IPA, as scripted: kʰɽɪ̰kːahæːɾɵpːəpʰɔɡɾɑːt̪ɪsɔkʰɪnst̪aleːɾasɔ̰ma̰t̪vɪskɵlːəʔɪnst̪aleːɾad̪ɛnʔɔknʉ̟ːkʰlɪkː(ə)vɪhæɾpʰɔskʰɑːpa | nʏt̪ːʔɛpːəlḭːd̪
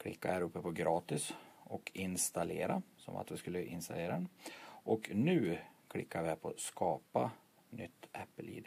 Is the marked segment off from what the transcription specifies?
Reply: yes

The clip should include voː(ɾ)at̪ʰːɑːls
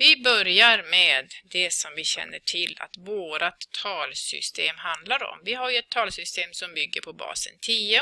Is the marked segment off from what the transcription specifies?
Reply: no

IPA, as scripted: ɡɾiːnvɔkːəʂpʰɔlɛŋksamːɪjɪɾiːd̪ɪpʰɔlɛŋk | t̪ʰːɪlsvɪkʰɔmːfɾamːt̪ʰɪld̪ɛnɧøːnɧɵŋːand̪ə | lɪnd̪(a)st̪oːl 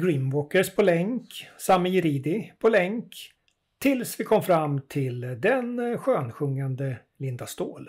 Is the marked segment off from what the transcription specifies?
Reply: no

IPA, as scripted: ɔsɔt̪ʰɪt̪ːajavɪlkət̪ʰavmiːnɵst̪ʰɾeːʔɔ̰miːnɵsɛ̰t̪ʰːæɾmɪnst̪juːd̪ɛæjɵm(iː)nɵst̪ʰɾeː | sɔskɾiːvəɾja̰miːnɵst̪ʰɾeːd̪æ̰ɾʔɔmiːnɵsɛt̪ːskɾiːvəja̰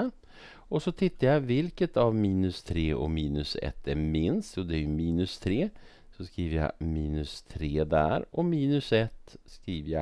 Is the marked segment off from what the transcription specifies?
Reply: no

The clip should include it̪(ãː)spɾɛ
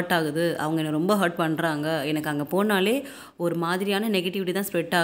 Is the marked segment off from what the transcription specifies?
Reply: no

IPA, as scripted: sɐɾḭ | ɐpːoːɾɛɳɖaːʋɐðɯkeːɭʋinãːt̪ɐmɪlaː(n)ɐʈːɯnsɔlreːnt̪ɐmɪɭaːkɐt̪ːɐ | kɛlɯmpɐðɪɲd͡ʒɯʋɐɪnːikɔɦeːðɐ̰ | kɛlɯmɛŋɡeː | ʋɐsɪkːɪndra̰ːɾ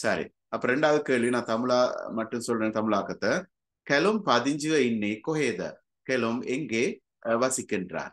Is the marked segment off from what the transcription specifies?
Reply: yes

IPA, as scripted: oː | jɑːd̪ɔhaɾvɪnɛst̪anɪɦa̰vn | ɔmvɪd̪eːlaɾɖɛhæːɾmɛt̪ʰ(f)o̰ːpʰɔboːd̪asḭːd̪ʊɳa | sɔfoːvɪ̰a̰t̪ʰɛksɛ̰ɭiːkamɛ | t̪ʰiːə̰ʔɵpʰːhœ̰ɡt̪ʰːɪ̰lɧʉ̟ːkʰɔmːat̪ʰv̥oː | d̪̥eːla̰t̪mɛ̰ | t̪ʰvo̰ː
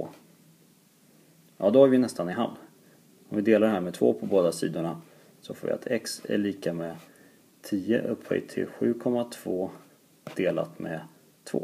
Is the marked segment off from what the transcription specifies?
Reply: yes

